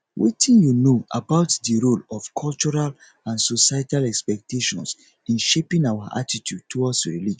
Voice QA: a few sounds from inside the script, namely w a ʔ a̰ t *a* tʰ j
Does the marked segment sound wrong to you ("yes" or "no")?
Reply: yes